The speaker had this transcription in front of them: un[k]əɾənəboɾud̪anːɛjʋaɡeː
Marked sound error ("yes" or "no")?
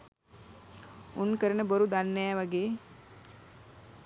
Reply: no